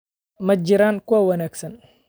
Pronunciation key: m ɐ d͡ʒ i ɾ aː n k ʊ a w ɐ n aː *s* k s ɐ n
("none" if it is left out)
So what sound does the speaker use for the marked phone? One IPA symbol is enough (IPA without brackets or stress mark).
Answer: none